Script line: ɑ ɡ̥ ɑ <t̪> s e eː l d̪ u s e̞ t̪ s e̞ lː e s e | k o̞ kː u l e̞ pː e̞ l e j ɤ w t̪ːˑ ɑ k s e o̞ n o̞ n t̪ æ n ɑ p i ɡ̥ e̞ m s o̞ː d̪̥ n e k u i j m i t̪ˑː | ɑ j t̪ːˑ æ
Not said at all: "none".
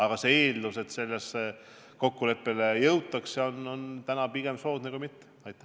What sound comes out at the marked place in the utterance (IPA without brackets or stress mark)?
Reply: none